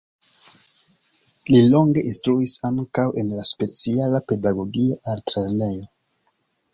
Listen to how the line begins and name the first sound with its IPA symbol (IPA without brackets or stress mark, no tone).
l